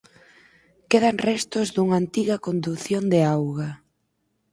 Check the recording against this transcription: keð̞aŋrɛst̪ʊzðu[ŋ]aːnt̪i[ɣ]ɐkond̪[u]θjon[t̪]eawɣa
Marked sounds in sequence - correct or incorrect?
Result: correct, correct, correct, incorrect: d̪

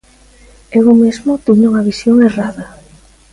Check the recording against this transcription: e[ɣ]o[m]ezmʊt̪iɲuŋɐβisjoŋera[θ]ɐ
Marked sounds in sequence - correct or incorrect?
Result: correct, correct, incorrect: ð

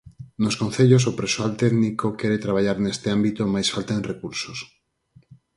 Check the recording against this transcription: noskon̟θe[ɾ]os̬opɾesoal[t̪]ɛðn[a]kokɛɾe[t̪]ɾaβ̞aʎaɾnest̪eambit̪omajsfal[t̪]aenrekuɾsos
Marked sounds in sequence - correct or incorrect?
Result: incorrect: ʎ, correct, incorrect: i, correct, correct

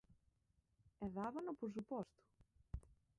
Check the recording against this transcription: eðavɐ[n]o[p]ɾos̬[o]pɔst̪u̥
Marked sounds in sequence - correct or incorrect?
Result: correct, correct, incorrect: u

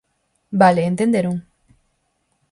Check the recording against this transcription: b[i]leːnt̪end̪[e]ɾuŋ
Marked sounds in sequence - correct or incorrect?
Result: incorrect: a, correct

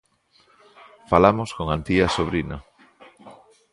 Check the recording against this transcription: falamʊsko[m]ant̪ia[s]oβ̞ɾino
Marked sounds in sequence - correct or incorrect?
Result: incorrect: ŋ, correct

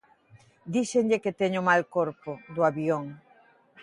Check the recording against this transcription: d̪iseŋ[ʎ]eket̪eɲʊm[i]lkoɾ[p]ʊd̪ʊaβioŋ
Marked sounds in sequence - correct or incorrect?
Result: correct, incorrect: a, correct

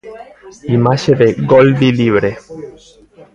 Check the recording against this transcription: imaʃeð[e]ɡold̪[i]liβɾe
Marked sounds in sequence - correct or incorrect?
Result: correct, correct

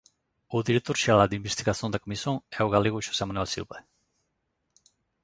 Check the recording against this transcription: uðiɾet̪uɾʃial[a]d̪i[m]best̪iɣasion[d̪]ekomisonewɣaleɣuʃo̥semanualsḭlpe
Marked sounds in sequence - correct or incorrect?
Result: correct, correct, correct

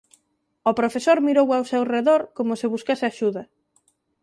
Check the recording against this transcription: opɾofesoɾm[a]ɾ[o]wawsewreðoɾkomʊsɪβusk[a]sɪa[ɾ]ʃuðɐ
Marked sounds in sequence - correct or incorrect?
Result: incorrect: i, correct, correct, incorrect: none

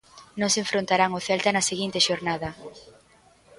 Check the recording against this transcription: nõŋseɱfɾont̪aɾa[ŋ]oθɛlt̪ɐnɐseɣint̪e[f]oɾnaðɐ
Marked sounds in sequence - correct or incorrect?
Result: correct, incorrect: ʃ

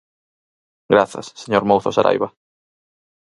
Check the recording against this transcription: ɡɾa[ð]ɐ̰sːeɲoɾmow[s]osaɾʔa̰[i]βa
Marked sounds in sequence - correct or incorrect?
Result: incorrect: θ, incorrect: θ, incorrect: j

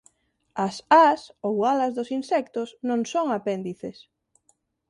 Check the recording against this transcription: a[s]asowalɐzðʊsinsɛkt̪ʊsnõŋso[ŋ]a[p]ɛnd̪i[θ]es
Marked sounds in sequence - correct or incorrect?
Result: correct, correct, correct, correct

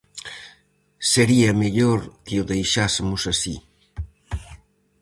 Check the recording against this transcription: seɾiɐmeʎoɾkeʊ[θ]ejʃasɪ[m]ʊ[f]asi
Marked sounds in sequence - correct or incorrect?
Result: incorrect: ð, correct, incorrect: s

